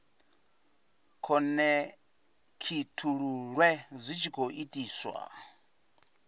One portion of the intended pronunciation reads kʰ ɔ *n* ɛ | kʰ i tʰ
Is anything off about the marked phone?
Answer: no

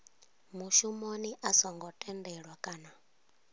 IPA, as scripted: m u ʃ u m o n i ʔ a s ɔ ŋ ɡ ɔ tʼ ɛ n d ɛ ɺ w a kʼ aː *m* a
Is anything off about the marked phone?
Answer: yes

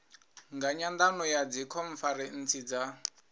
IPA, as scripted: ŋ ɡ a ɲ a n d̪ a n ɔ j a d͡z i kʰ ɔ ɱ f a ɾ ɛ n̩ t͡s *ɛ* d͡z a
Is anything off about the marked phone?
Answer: yes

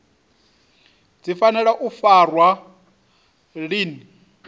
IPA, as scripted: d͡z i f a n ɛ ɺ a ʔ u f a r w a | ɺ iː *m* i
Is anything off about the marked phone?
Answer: yes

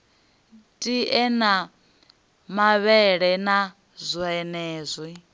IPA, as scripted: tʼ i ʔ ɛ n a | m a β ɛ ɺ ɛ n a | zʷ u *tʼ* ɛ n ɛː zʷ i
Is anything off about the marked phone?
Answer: yes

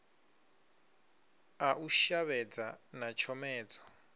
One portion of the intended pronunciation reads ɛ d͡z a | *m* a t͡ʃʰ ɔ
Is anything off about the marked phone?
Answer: yes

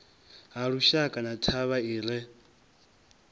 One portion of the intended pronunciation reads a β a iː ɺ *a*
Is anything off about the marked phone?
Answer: yes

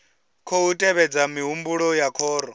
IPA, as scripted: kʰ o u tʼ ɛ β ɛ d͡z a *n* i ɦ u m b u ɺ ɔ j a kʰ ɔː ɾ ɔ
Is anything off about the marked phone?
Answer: yes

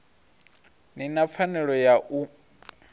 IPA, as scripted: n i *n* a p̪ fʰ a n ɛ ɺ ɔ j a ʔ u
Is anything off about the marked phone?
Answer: no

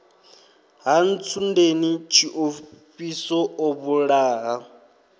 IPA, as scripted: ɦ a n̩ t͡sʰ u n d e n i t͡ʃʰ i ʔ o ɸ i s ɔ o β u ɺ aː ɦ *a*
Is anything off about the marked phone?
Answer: no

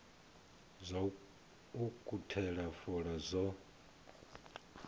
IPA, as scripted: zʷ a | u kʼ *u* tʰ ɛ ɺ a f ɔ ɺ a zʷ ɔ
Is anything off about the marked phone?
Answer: no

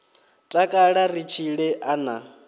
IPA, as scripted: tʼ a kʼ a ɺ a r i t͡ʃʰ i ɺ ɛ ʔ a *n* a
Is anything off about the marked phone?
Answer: no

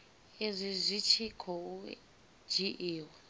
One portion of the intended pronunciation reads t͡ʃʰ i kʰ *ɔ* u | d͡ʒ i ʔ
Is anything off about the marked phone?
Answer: no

